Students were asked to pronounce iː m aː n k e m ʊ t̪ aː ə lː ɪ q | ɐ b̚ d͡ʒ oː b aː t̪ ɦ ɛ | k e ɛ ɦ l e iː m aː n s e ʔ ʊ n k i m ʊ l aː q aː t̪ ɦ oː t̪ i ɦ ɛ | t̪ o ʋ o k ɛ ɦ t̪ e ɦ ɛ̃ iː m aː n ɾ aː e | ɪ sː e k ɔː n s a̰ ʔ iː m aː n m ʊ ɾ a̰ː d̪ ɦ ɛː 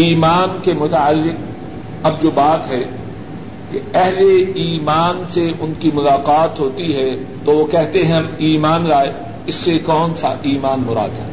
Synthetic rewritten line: iː m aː n k e m ʊ t̪ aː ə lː ɪ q | ɐ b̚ d͡ʒ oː b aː t̪ ɦ ɛ | k e ɛ ɦ l e iː m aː n s e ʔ ʊ n k i m ʊ l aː q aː t̪ ɦ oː t̪ i ɦ ɛ | t̪ o ʋ o k ɛ ɦ t̪ e ɦ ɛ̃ iː m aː n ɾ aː e | ɪ sː e k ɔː n s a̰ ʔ iː m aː n m ʊ ɾ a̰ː d̪ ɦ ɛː